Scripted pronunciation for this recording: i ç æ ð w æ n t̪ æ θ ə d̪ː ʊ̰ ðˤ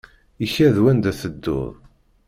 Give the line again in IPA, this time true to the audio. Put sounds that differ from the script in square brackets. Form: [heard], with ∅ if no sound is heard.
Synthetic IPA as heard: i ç æ ð w æ n [d̪] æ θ ə d̪ː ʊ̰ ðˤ